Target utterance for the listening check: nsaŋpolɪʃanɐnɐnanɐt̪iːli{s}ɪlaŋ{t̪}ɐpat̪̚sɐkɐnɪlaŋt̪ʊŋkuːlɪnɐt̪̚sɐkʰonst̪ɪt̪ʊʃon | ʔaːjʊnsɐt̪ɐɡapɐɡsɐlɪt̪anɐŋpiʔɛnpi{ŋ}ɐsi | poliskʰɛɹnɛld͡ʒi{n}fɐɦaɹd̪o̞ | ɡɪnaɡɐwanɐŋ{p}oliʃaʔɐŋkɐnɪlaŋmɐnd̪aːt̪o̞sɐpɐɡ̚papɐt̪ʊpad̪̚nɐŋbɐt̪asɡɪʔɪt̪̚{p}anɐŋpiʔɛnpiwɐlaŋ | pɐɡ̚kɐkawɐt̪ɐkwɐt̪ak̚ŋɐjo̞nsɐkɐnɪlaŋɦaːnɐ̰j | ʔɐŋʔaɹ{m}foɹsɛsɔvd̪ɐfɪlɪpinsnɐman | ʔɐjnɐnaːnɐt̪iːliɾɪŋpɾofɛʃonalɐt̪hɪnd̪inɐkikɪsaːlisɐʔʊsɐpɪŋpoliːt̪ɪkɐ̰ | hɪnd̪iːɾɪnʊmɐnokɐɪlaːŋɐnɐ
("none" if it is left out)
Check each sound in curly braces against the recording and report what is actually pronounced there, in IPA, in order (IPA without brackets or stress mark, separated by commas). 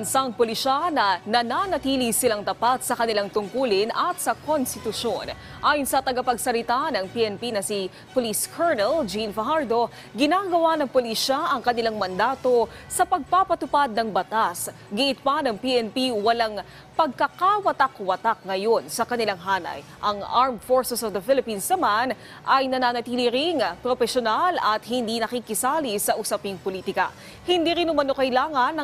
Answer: s, t̪, n, n, p, p, m